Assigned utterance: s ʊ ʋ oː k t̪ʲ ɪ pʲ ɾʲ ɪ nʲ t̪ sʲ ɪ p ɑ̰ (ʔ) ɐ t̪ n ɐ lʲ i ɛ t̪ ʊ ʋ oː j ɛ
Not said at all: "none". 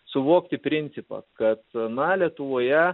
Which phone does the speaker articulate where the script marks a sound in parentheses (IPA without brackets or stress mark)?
k